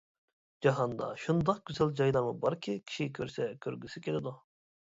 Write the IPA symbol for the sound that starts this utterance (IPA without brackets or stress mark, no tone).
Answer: d͡ʒ